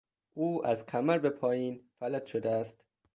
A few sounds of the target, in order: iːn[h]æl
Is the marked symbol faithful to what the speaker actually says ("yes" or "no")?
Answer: no